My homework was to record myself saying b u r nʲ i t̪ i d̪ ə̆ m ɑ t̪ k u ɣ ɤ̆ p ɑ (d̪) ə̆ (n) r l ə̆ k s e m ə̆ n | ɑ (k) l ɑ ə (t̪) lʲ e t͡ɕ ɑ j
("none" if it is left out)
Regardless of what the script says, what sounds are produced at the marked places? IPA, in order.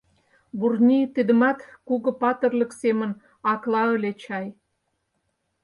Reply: t̪, none, k, none

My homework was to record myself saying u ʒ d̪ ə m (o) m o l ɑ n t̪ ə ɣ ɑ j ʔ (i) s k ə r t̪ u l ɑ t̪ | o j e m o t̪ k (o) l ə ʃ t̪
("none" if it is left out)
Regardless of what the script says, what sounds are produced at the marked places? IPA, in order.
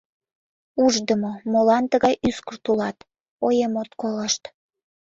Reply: o, y, o

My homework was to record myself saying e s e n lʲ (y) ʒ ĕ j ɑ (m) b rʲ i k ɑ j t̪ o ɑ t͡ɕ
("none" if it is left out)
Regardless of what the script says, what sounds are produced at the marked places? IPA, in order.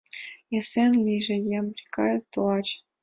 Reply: i, m

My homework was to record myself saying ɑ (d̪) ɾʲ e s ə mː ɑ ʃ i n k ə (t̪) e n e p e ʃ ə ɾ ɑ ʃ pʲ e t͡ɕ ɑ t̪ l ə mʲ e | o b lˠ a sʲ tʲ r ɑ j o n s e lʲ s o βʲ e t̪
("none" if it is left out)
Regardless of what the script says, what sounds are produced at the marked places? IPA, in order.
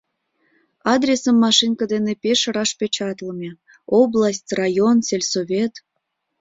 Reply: d̪, d̪

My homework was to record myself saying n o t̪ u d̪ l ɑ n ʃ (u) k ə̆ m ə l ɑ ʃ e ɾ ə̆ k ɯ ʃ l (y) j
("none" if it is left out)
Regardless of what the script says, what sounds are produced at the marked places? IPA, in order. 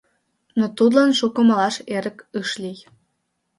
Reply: u, i

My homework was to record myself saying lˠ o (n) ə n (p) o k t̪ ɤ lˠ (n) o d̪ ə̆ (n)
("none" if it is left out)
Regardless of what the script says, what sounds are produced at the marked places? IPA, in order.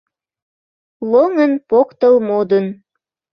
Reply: ŋ, p, m, n

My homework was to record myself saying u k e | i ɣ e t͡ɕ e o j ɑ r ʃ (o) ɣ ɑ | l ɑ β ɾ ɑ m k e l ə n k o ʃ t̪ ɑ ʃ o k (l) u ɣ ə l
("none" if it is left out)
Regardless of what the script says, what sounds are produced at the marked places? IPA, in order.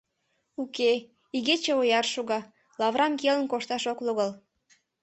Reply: u, l

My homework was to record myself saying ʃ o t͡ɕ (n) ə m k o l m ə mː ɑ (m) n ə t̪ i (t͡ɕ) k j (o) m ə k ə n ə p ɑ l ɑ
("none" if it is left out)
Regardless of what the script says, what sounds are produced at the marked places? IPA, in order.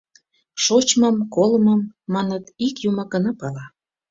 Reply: m, none, none, u

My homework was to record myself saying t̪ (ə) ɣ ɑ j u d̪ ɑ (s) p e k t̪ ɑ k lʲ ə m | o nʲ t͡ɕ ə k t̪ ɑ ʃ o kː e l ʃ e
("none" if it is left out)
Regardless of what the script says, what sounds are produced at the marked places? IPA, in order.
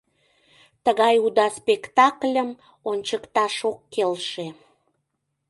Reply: ə, s

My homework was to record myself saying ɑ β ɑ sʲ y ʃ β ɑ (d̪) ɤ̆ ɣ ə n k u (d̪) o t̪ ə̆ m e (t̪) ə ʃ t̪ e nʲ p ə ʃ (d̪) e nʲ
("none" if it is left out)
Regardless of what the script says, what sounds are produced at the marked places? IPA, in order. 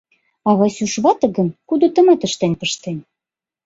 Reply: t̪, d̪, t̪, t̪

